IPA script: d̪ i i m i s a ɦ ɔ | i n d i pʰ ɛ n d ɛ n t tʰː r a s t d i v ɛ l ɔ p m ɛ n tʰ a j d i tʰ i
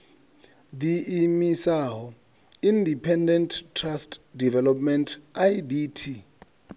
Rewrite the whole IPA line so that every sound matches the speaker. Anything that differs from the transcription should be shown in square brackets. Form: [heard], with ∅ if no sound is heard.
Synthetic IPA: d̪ i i m i s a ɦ ɔ | i n d i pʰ ɛ n d ɛ n t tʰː r a s t d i v ɛ l ɔ p m ɛ n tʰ a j d i tʰ i